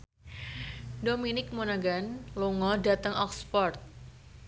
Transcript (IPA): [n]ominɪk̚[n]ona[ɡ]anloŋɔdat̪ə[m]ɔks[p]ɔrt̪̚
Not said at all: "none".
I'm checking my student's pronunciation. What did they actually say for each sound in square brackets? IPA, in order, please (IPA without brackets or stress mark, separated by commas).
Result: d, m, ɡ, ŋ, p